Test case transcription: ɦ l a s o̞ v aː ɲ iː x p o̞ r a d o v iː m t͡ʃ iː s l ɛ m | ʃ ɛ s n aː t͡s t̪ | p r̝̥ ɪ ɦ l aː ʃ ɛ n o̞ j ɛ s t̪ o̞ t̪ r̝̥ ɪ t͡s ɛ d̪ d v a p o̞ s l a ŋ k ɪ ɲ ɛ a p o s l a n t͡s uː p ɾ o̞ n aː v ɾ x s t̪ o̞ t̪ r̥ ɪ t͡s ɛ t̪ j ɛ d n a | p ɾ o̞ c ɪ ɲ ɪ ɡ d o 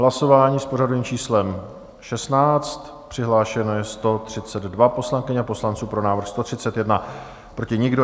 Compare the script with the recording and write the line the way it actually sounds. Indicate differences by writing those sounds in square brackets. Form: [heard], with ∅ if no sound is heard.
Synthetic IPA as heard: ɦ l a s o̞ v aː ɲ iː [s] p o̞ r a d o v iː m t͡ʃ iː s l ɛ m | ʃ ɛ s n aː t͡s t̪ | p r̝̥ ɪ ɦ l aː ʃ ɛ n o̞ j ɛ s t̪ o̞ t̪ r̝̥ ɪ t͡s ɛ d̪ d v a p o̞ s l a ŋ k ɪ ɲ ɛ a p o s l a n t͡s uː p ɾ o̞ n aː v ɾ x s t̪ o̞ t̪ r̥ ɪ t͡s ɛ t̪ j ɛ d n a | p ɾ o̞ c ɪ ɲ ɪ ɡ d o

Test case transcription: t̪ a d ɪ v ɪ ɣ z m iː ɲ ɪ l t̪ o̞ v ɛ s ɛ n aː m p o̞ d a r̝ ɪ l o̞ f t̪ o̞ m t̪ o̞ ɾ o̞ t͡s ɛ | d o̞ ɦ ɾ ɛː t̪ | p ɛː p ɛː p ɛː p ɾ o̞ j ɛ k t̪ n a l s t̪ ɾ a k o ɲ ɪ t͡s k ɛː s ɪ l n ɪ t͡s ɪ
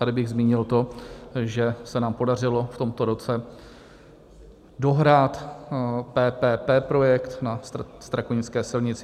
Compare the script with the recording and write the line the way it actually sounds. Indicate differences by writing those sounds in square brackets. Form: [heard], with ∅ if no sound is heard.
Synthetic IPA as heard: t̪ a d ɪ [b] ɪ ɣ z m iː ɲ ɪ l t̪ o̞ [ʒ] ɛ s ɛ n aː m p o̞ d a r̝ ɪ l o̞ f t̪ o̞ m t̪ o̞ ɾ o̞ t͡s ɛ | d o̞ ɦ ɾ [aː] t̪ | p ɛː p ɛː p ɛː p ɾ o̞ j ɛ k t̪ n a [∅] s t̪ ɾ a k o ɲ ɪ t͡s k ɛː s ɪ l [ɲ] ɪ t͡s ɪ

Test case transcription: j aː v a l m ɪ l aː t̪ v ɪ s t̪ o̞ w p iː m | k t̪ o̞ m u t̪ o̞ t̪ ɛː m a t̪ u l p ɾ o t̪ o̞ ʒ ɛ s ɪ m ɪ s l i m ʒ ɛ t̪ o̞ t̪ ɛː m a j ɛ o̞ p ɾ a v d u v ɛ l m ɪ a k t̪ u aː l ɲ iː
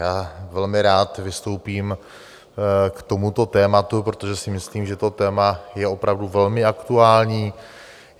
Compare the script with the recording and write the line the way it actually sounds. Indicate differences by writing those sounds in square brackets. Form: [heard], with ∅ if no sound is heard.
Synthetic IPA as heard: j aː v [ɛ] l m ɪ [ɾ] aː t̪ v ɪ s t̪ o̞ w p iː m | k t̪ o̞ m u t̪ o̞ t̪ ɛː m a t̪ u [∅] p ɾ o t̪ o̞ ʒ ɛ s ɪ m ɪ s l [iː] m ʒ ɛ t̪ o̞ t̪ ɛː m a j ɛ o̞ p ɾ a v d u v ɛ l m ɪ a k t̪ u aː l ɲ iː

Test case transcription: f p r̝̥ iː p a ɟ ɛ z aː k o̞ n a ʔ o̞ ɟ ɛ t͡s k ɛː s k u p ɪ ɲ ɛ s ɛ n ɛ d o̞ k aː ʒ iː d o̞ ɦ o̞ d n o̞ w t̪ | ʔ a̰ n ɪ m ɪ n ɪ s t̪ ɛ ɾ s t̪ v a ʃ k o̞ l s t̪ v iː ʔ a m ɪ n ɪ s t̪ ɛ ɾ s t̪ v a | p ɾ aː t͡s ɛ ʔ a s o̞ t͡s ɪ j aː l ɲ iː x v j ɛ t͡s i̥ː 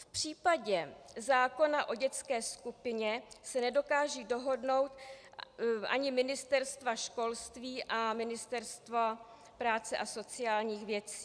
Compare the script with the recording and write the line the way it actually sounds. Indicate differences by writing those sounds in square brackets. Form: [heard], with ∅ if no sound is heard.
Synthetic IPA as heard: f p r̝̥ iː p a ɟ ɛ z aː k o̞ n a ʔ o̞ ɟ ɛ t͡s k ɛː s k u p ɪ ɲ ɛ s ɛ n ɛ d o̞ k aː ʒ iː d o̞ ɦ o̞ d n o̞ w t̪ | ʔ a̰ [ɲ] ɪ m ɪ n ɪ s t̪ ɛ ɾ s t̪ v a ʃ k o̞ l s t̪ v iː ʔ a m ɪ n ɪ s t̪ ɛ ɾ s t̪ v a | p ɾ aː t͡s ɛ ʔ a s o̞ t͡s ɪ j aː l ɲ iː x v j ɛ t͡s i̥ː

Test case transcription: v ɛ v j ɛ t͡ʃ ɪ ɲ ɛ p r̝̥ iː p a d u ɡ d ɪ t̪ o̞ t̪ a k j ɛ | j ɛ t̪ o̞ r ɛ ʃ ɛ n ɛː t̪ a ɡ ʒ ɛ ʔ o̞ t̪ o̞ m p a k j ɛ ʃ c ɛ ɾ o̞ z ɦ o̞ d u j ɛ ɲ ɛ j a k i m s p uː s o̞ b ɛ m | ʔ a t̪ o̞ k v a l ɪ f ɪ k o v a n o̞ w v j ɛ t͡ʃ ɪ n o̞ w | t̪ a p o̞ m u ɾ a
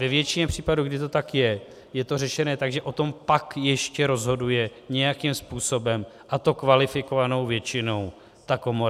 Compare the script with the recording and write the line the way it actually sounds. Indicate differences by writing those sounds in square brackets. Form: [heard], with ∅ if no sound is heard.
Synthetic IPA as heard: v ɛ v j ɛ t͡ʃ ɪ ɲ ɛ p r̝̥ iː p a d u ɡ d ɪ t̪ o̞ t̪ a k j ɛ | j ɛ t̪ o̞ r ɛ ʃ ɛ n ɛː t̪ a ɡ ʒ ɛ ʔ o̞ t̪ o̞ m p a k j ɛ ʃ c ɛ ɾ o̞ z ɦ o̞ d u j ɛ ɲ ɛ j a k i m s p uː s o̞ b ɛ m | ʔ a t̪ o̞ k v a l ɪ f ɪ k o v a n o̞ w v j ɛ t͡ʃ ɪ n o̞ w | t̪ a [k] o̞ m [o] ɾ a

